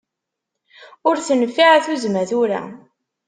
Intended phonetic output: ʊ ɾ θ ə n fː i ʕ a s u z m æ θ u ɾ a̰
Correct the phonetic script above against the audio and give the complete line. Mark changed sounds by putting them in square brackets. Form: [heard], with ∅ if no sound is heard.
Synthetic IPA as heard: ʊ ɾ θ ə n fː i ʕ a [θ] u z m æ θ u ɾ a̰